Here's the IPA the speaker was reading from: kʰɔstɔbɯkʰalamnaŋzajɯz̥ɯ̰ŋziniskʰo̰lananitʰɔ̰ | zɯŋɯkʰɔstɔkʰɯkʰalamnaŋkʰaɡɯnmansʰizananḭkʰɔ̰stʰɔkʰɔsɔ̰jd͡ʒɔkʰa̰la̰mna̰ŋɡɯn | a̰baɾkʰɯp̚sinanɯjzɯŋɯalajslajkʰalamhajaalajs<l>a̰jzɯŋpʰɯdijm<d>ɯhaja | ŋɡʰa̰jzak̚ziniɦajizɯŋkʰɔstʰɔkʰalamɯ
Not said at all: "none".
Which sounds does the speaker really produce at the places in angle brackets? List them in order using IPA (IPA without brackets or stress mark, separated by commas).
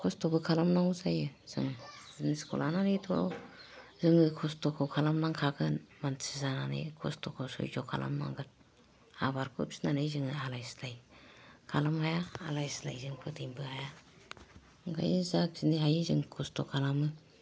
l, b